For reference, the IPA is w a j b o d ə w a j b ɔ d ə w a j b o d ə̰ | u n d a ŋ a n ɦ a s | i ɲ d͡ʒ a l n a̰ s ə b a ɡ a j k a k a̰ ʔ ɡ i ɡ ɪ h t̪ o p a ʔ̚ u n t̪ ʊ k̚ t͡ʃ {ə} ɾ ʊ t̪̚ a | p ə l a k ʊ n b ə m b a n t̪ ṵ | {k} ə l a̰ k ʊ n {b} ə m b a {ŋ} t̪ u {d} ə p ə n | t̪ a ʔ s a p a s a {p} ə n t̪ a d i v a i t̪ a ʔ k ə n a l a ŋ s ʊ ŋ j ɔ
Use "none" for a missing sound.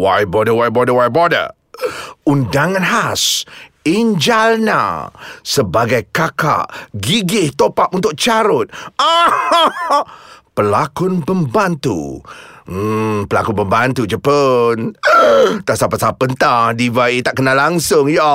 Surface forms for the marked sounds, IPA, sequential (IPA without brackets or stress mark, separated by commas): a, p, b, n, d͡ʒ, p